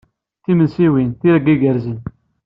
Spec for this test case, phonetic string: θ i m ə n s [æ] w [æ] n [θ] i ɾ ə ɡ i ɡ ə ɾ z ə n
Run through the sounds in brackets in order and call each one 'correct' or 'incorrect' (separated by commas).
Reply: incorrect, incorrect, correct